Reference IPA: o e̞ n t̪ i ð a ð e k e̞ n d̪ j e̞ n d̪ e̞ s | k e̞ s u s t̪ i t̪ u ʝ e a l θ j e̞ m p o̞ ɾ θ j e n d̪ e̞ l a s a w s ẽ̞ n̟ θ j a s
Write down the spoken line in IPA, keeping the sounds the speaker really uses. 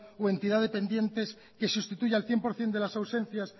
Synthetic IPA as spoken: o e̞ n t̪ i ð a ð e p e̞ n d̪ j e̞ n t̪ e̞ s | k e̞ s u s t̪ i t̪ u ʝ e a l θ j e̞ m p o̞ ɾ θ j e n d̪ e̞ l a s a w s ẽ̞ n̟ θ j a s